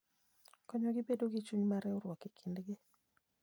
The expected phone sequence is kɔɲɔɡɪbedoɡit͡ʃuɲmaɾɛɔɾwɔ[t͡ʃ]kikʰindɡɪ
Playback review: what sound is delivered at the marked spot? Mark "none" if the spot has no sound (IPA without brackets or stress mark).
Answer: none